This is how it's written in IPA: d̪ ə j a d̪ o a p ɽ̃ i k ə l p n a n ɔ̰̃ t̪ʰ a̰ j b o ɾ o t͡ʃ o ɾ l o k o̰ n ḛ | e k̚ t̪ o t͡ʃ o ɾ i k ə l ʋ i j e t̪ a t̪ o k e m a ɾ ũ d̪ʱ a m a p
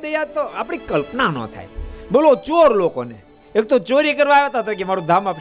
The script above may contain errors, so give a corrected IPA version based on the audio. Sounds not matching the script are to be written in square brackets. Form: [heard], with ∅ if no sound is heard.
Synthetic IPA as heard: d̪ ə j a [t̪] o a p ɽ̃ i k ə l p n a n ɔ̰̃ t̪ʰ a̰ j b o [l] o t͡ʃ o ɾ l o k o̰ n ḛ | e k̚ t̪ o t͡ʃ o ɾ i k ə [ɾ] ʋ [a] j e t̪ a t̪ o k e m a ɾ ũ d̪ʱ a m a p